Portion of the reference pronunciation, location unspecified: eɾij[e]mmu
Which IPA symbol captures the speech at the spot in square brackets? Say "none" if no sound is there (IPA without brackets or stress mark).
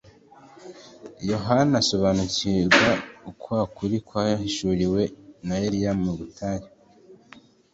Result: a